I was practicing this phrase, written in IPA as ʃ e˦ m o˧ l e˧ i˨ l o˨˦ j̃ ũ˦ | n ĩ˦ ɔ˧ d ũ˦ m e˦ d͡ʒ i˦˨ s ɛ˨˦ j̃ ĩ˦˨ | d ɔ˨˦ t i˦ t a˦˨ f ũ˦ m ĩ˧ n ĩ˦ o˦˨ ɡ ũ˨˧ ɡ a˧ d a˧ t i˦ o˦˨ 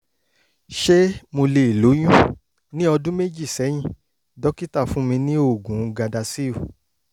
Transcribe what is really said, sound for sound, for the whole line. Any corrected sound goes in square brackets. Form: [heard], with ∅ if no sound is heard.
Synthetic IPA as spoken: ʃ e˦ m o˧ l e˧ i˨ l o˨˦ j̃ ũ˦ | n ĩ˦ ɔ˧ d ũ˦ m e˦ d͡ʒ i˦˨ s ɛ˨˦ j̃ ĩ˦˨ | d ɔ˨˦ [k] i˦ t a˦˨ f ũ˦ m ĩ˧ n ĩ˦ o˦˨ ɡ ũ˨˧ ɡ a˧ d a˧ [s] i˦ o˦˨